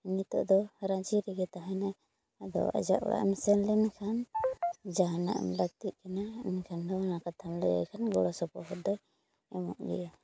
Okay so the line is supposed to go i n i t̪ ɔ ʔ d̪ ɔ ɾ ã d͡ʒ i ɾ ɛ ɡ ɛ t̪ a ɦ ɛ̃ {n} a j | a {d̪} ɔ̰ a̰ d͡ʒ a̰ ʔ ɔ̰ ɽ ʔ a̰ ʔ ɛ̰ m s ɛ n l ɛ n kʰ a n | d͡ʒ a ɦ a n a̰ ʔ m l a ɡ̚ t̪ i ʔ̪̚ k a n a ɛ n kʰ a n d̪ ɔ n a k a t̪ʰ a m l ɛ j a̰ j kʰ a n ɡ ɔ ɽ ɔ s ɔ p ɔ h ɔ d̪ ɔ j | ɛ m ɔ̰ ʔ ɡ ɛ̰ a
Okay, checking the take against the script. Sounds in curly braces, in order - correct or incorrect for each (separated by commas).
correct, correct